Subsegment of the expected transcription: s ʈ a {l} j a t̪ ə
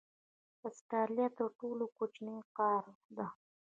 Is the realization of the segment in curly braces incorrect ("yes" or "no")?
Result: no